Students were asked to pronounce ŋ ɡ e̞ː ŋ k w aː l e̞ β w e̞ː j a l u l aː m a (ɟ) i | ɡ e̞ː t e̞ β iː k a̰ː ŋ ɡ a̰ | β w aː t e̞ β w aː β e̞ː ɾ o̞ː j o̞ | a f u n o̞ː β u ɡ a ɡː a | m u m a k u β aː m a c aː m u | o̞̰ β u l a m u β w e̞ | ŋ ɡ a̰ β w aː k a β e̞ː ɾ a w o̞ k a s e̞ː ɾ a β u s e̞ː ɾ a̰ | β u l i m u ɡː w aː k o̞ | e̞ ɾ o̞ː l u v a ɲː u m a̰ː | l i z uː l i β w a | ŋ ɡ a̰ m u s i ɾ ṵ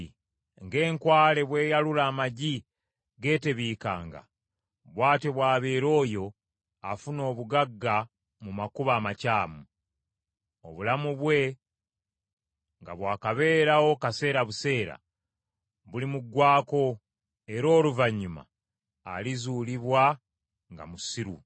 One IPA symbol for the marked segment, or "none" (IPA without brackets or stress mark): ɟ